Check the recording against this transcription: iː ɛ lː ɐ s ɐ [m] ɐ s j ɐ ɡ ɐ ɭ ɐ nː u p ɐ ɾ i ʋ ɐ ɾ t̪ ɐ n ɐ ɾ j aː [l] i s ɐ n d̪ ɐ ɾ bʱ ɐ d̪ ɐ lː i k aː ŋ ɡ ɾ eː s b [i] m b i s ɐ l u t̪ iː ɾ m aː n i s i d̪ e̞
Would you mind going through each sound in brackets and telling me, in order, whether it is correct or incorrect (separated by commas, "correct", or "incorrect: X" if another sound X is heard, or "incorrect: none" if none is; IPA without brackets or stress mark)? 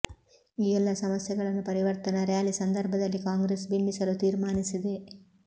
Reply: correct, correct, correct